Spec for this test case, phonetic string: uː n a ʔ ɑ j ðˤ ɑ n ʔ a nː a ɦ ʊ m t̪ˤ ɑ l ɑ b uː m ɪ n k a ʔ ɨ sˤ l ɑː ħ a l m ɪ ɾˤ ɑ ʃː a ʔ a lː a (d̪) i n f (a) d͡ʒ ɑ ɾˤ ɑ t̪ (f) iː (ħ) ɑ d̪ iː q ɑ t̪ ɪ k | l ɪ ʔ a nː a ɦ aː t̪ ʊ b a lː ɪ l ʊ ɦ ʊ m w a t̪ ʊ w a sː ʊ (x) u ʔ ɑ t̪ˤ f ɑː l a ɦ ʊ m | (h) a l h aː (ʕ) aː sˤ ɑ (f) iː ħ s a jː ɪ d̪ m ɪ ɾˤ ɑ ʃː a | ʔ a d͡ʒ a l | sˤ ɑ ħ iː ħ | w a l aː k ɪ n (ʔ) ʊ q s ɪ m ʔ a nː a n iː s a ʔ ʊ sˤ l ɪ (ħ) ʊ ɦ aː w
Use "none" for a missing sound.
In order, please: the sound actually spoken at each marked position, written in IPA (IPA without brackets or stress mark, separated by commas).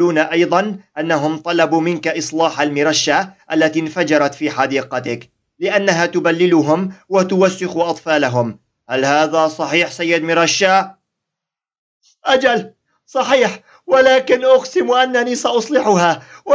t̪, a, f, ħ, x, h, ð, ħ, ʔ, ħ